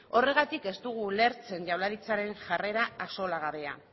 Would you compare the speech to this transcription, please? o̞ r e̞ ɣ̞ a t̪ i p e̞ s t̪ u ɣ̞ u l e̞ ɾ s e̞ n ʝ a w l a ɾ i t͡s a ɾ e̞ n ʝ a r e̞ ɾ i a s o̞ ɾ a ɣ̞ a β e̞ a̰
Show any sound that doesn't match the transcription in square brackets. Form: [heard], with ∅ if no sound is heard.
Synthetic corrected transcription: o̞ r e̞ ɣ̞ a t̪ i [k] e̞ s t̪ u ɣ̞ u l e̞ ɾ [t͡s] e̞ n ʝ a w l a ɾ i t͡s a ɾ e̞ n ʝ a r e̞ ɾ [a] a s o̞ [l] a ɣ̞ a β e̞ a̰